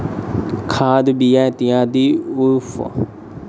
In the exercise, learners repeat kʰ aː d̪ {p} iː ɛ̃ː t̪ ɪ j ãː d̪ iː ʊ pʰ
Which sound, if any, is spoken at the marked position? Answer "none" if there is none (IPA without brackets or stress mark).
b